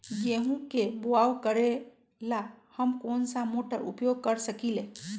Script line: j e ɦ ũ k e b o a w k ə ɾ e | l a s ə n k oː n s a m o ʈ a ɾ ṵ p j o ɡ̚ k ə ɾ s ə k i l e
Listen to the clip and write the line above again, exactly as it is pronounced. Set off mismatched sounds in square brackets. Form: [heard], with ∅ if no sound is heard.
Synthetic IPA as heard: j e ɦ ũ k e b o a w k ə ɾ e | l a [h] ə [m] k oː n s a m o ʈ [ə] ɾ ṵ p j o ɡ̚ k ə ɾ s ə k i l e